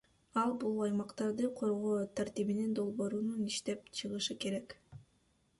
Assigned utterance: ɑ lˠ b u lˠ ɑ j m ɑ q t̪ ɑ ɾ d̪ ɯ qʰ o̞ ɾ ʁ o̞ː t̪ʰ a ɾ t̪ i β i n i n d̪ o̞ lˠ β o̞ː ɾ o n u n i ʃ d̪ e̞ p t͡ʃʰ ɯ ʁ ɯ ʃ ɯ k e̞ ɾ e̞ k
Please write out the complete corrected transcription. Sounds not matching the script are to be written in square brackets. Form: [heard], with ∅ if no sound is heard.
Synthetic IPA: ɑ lˠ b u lˠ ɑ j m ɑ q t̪ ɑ ɾ d̪ ɯ qʰ o̞ ɾ ʁ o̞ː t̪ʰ a ɾ t̪ i β i n i n d̪ o̞ lˠ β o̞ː ɾ [u] n u n i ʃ [t̪] e̞ p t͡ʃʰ ɯ ʁ ɯ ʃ ɯ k e̞ ɾ e̞ k